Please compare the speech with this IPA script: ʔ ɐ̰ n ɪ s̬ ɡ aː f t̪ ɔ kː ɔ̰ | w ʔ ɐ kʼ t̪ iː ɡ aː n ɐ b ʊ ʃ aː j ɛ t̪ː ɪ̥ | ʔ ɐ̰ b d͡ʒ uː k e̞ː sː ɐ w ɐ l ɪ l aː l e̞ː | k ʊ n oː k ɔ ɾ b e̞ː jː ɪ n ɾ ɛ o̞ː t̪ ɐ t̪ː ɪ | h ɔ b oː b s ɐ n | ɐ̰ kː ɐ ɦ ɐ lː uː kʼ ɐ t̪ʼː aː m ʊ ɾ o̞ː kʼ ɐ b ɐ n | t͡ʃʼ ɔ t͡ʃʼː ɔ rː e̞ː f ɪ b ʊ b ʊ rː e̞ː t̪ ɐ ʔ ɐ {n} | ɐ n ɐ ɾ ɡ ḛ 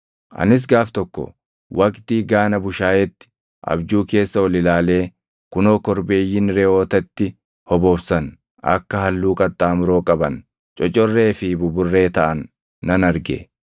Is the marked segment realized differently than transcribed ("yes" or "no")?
yes